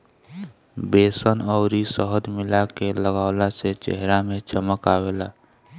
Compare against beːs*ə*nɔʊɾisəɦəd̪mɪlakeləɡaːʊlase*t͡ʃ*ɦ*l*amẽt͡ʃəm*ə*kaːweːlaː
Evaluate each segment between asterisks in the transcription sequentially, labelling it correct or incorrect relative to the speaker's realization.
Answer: correct, correct, incorrect: ɾ, correct

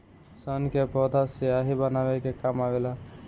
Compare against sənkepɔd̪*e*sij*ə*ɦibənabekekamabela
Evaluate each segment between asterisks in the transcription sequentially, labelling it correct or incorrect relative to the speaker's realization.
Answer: incorrect: a, incorrect: a

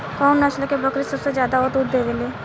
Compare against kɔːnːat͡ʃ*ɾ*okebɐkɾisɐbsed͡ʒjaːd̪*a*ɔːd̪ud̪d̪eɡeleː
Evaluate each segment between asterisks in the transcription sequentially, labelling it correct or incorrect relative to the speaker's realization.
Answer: incorrect: l, correct

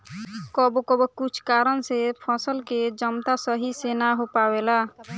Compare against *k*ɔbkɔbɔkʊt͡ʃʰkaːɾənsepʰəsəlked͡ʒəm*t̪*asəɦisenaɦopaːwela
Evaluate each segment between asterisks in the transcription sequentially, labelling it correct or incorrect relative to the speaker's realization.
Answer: correct, correct

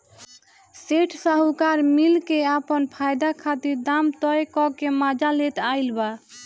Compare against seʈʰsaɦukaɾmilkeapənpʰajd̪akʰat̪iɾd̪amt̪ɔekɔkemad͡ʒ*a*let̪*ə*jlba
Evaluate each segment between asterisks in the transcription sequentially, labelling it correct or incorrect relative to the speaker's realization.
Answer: correct, incorrect: a

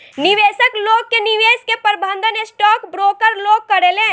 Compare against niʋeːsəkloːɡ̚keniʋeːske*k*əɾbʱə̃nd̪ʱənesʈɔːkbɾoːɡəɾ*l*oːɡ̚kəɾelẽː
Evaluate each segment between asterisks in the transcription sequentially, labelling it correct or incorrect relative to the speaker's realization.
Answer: incorrect: p, correct

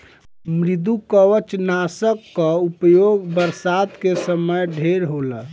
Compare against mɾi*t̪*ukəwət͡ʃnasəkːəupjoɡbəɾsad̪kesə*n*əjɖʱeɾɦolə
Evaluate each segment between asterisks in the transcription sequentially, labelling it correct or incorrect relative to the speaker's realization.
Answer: incorrect: d̪, incorrect: m

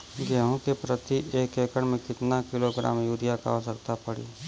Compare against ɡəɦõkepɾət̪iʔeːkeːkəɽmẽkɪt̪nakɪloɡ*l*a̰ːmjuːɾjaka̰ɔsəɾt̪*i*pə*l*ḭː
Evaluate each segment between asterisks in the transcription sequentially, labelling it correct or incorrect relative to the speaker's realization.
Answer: incorrect: ɾ, incorrect: a, incorrect: ɽ

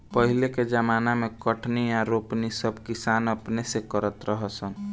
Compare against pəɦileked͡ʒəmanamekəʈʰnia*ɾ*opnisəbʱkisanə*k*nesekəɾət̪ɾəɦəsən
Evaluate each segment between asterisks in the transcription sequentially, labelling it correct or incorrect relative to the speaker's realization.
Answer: correct, incorrect: p

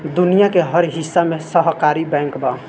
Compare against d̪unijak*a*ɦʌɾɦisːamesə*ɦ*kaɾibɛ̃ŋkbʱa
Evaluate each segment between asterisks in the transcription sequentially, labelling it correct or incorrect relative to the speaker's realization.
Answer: incorrect: e, correct

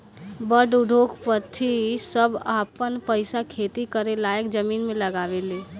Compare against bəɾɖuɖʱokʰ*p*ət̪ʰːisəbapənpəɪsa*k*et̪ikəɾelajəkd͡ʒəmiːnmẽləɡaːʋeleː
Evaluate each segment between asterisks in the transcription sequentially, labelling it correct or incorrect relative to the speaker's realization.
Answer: correct, incorrect: kʰ

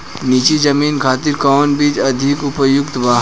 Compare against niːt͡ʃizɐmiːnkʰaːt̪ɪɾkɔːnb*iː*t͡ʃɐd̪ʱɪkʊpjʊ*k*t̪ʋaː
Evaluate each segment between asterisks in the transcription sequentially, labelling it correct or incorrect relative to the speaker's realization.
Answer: correct, correct

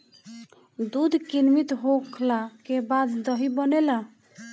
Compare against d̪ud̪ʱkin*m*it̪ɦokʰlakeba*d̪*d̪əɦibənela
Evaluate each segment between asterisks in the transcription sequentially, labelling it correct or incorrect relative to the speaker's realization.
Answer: correct, correct

